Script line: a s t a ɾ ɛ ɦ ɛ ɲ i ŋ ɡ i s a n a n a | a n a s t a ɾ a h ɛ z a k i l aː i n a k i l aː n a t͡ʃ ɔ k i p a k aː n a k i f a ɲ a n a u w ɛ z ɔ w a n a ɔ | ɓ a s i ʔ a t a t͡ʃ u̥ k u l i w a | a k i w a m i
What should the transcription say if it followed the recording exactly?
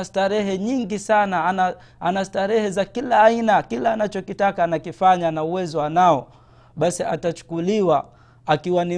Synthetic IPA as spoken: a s t a ɾ ɛ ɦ ɛ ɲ i ŋ ɡ i s a n a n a | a n a s t a ɾ ɛ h ɛ z a k i l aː i n a k i l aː n a t͡ʃ ɔ k i t a k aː n a k i f a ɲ a n a u w ɛ z ɔ w a n a ɔ | ɓ a s i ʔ a t a t͡ʃ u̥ k u l i w a | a k i w a n i